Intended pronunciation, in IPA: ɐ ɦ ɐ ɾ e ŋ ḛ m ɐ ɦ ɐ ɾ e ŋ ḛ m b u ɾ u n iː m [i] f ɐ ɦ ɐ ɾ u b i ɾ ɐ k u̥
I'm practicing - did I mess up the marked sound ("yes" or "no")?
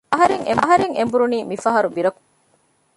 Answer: no